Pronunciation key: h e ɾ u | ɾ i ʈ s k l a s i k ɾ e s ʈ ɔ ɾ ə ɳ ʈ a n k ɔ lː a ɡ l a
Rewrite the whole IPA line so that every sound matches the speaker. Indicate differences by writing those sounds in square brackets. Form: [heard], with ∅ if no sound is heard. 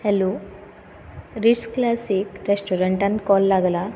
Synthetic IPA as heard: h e [l] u | ɾ i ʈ s k l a s i k ɾ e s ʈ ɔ ɾ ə ɳ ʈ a n k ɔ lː a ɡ l a